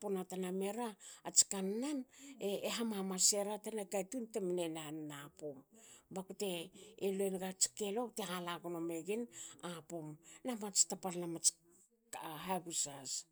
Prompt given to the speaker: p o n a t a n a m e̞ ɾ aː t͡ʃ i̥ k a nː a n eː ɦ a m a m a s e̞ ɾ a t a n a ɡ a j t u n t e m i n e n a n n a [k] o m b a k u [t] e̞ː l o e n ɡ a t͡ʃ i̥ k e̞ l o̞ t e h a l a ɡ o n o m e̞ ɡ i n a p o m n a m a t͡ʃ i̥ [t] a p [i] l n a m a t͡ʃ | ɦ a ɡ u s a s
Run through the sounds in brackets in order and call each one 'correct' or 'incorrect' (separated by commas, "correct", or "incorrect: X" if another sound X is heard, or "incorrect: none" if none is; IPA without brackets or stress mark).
incorrect: p, correct, correct, incorrect: a